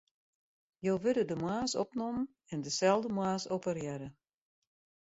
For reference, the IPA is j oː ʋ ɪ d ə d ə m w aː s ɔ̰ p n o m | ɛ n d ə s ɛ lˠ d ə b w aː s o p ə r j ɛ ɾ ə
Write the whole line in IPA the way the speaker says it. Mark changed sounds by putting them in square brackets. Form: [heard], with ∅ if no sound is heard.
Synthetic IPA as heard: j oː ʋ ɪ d ə d ə m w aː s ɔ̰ p n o m | ɛ n d ə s ɛ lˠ d ə [m] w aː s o p ə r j ɛ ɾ ə